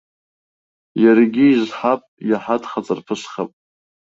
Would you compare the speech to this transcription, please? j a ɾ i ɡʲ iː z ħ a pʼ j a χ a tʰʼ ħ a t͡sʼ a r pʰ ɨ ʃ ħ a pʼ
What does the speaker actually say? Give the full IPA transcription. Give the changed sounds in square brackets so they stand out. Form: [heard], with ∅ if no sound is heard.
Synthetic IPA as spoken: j a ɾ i ɡʲ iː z ħ a pʼ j a [ħ] a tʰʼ [χ] a t͡sʼ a r pʰ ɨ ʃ [χ] a pʼ